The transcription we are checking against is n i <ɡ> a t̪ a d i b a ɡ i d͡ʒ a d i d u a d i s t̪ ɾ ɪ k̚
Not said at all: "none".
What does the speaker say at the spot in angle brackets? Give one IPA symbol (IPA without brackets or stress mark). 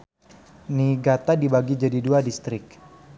ɡ